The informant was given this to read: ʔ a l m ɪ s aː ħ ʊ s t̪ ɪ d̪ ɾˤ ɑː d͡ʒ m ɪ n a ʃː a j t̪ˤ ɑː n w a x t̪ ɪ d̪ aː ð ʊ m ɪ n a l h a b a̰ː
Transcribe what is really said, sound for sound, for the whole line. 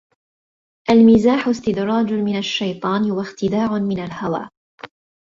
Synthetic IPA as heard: ʔ a l m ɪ z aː ħ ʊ s t̪ ɪ d̪ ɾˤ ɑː d͡ʒ m ɪ n a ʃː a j t̪ˤ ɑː n w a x t̪ ɪ d̪ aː ʕ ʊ m ɪ n a l h a w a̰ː